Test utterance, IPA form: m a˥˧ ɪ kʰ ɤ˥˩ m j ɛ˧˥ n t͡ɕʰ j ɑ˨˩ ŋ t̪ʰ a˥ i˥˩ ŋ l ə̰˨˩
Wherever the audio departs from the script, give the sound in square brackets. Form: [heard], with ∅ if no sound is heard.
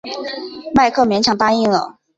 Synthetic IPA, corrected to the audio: m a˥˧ ɪ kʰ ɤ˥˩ m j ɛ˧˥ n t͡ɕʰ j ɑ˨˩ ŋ [t̪] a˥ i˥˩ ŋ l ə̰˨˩